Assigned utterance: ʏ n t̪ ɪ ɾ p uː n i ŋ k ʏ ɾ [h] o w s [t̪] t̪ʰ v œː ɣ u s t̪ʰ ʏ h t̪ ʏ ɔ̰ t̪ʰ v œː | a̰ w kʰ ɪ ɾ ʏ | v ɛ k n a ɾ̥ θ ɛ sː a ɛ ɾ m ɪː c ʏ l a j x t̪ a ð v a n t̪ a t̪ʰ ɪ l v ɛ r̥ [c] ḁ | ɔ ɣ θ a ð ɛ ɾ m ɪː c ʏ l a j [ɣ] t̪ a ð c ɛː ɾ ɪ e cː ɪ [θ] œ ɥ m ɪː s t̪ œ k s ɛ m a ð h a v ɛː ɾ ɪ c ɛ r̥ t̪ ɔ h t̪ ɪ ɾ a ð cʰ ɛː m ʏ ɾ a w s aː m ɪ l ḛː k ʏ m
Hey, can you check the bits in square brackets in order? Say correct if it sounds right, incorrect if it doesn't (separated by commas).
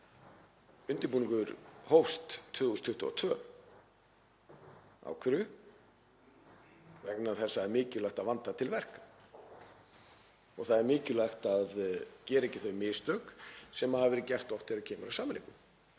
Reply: correct, correct, incorrect, incorrect, correct